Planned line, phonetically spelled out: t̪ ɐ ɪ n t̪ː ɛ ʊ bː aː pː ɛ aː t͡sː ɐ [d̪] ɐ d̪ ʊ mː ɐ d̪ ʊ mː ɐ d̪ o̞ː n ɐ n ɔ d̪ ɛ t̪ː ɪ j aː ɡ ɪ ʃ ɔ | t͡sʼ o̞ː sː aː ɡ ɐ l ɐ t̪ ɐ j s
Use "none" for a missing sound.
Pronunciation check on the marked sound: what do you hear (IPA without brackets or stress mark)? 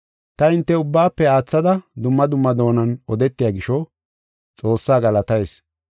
d̪